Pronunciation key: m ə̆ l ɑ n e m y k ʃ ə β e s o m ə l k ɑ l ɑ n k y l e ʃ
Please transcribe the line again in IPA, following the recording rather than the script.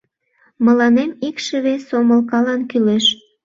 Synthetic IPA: m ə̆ l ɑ n e m i k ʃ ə β e s o m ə l k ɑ l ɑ n k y l e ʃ